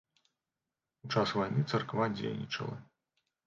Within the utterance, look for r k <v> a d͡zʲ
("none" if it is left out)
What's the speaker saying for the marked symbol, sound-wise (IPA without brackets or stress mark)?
v